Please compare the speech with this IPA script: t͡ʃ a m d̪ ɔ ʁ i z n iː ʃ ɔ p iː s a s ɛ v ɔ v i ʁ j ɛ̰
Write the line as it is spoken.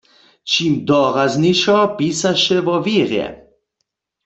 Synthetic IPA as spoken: t͡ʃ i m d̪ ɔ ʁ a z n i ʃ ɔ p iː s a ʃ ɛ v ɔ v i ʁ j ɛ̰

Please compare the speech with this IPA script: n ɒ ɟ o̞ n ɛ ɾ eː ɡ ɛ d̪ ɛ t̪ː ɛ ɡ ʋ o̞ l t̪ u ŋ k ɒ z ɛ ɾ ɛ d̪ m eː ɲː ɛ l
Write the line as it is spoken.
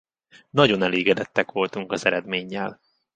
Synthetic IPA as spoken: n ɒ ɟ o̞ n ɛ l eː ɡ ɛ d̪ ɛ t̪ː ɛ k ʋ o̞ l t̪ u ŋ k ɒ z ɛ ɾ ɛ d̪ m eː ɲː ɛ l

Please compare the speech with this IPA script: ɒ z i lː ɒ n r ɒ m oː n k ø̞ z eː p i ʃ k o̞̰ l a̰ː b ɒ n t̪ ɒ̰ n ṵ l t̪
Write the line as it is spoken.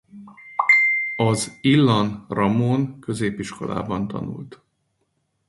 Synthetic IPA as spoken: ɒ z i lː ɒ n r ɒ m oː n k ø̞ z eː p i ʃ k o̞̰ l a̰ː b ɒ n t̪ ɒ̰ n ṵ l t̪

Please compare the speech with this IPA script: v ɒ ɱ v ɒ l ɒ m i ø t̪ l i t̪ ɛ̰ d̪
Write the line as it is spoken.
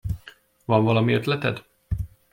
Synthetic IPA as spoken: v ɒ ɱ v ɒ l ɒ m i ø t̪ l ɛ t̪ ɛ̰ d̪

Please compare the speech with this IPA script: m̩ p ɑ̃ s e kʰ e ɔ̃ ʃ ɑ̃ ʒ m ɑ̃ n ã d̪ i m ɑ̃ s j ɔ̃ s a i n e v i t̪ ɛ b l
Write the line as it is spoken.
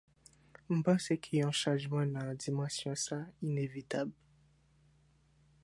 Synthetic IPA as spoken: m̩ p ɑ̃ s e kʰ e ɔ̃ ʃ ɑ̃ ʒ m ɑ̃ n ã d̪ i m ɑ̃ s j ɔ̃ s a i n e v i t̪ a b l

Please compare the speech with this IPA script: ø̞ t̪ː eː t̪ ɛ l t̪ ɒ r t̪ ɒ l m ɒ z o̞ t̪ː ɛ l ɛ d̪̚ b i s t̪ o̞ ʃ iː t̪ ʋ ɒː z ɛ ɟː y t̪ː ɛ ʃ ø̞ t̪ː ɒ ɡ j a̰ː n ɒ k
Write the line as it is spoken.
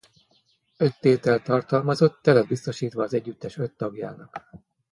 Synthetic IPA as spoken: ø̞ t̪ː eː t̪ ɛ l t̪ ɒ r t̪ ɒ l m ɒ z o̞ t̪ː ɛ l ɛ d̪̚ b i s t̪ o̞ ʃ iː t̪ ʋ ɒː z ɛ ɟː y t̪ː ɛ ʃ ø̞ t̪ː ɒ ɡ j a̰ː n ɒ k

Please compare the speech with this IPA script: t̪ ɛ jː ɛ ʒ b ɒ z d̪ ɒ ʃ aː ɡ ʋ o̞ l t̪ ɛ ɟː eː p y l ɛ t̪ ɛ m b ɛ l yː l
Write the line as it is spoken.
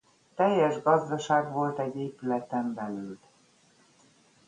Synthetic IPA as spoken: t̪ ɛ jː ɛ ʒ ɡ ɒ z d̪ ɒ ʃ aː ɡ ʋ o̞ l t̪ ɛ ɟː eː p y l ɛ t̪ ɛ m b ɛ l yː l

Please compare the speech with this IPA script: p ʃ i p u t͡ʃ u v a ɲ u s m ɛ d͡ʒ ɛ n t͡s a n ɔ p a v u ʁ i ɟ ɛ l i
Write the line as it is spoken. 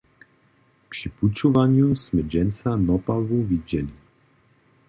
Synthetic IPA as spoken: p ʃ i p u t͡ʃ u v a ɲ u s m ɛ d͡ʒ ɛ n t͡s a n ɔ p a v u v i ɟ ɛ l i

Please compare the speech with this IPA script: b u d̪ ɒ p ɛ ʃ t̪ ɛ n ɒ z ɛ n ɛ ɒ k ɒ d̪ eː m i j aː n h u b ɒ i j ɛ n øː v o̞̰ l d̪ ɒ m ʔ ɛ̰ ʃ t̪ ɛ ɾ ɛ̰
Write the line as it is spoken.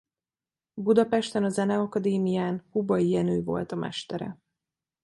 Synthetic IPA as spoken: b u d̪ ɒ p ɛ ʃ t̪ ɛ n ɒ z ɛ n ɛ ɒ k ɒ d̪ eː m i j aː n h u b ɒ i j ɛ n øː v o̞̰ l t̪ ɒ m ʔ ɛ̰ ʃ t̪ ɛ ɾ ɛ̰

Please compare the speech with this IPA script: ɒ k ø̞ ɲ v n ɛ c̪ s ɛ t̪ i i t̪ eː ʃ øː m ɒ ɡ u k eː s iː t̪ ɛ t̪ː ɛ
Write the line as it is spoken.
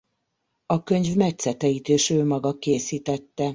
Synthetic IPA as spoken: ɒ k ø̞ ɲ v m ɛ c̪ s ɛ t̪ ɛ i t̪ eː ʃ øː m ɒ ɡ ɒ k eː s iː t̪ ɛ t̪ː ɛ

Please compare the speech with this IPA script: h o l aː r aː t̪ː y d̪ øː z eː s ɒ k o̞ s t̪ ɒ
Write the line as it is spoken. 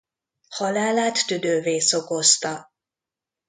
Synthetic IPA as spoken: h ɒ l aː l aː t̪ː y d̪ øː v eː s o k o̞ s t̪ ɒ

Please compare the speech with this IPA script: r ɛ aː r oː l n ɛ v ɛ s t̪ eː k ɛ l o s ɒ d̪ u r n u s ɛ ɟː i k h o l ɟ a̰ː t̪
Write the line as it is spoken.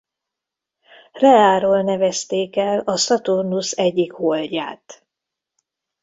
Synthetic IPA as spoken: r ɛ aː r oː l n ɛ v ɛ s t̪ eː k ɛ l ɒ s ɒ t̪ u r n u s ɛ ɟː i k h o l ɟ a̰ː t̪

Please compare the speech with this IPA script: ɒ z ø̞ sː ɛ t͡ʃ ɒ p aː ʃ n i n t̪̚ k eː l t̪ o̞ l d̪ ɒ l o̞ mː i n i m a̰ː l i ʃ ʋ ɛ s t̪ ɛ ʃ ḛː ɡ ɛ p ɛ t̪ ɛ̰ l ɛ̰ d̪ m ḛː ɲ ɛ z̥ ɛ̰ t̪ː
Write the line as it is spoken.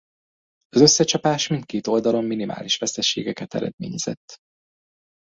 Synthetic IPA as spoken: ɒ z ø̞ sː ɛ t͡ʃ ɒ p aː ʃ m i n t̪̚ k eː t̪ o̞ l d̪ ɒ l o̞ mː i n i m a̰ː l i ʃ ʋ ɛ s t̪ ɛ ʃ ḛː ɡ ɛ k ɛ t̪ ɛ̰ ɾ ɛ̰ d̪ m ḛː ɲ ɛ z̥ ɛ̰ t̪ː

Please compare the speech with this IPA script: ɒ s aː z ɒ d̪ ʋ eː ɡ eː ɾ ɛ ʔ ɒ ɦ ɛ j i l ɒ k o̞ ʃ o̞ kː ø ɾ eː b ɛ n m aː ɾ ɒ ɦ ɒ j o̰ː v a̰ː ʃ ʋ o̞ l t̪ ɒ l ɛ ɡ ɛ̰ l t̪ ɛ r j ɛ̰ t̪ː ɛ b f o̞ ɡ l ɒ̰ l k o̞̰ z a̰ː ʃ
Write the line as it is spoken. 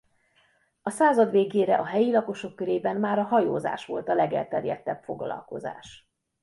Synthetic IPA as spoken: ɒ s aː z ɒ d̪ ʋ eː ɡ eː ɾ ɛ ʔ ɒ ɦ ɛ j i l ɒ k o̞ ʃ o̞ kː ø ɾ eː b ɛ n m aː ɾ ɒ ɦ ɒ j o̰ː z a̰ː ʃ ʋ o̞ l t̪ ɒ l ɛ ɡ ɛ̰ l t̪ ɛ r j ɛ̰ t̪ː ɛ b f o̞ ɡ l ɒ̰ l k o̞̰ z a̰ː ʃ

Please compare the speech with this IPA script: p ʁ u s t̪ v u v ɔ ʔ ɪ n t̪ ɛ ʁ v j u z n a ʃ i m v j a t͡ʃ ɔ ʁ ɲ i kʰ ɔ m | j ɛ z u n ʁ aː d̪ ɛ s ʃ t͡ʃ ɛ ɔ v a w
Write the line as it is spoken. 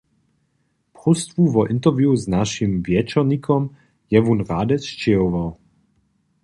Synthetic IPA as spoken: p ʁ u s t̪ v u v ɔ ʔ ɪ n t̪ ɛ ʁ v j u z n a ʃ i m v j ɛ t͡ʃ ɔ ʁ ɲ i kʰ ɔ m | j ɛ v u n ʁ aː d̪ ɛ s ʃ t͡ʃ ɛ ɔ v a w

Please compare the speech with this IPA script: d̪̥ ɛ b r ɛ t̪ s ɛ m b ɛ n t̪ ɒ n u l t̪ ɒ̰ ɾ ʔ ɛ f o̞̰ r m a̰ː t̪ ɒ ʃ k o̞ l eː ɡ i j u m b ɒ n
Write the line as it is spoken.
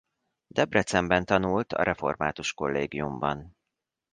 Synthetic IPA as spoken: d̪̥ ɛ b r ɛ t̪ s ɛ m b ɛ n t̪ ɒ n u l t̪ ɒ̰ ɾ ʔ ɛ f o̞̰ r m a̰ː t̪ u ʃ k o̞ lː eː ɡ i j u m b ɒ n

